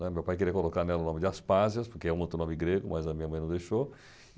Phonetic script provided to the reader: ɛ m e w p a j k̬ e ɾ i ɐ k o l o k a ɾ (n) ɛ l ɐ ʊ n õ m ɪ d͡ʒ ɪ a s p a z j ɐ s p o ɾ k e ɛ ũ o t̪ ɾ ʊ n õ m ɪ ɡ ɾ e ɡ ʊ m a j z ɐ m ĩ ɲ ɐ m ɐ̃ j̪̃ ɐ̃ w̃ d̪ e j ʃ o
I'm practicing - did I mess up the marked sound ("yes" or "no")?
no